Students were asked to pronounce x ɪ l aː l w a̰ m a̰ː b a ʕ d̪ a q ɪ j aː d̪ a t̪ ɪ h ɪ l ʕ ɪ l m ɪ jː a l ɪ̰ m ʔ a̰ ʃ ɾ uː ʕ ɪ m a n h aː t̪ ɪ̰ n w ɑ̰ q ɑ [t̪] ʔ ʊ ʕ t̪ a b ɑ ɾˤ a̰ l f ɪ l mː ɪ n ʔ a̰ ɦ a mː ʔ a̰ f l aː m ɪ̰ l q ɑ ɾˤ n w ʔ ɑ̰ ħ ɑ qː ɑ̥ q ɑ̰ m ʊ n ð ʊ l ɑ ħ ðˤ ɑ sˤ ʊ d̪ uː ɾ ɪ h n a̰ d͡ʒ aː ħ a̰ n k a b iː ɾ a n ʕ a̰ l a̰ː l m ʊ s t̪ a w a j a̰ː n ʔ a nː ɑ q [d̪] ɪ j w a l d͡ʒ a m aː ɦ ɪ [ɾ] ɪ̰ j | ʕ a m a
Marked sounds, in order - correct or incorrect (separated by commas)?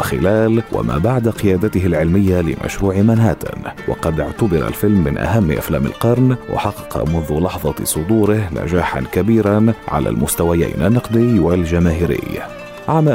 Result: incorrect, correct, correct